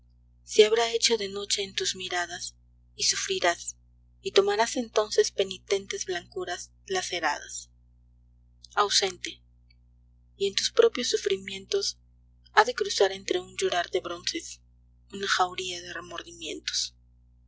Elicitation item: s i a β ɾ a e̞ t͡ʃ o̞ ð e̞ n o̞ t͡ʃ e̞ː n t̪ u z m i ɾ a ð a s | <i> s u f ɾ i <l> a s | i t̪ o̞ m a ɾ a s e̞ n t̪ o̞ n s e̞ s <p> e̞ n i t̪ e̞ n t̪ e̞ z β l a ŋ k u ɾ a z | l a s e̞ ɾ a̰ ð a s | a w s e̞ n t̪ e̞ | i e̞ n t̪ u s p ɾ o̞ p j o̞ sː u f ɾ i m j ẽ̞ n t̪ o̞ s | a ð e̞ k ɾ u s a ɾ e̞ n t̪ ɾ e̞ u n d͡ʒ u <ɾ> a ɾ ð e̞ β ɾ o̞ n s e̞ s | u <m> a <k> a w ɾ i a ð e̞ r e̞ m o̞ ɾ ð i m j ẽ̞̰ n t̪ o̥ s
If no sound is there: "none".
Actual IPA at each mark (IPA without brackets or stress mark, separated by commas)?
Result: i, ɾ, p, ɾ, n, x